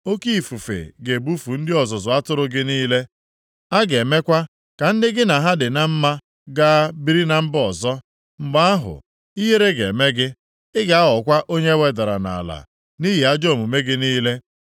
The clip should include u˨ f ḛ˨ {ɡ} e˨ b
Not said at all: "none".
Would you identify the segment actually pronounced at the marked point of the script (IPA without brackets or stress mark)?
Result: ɡ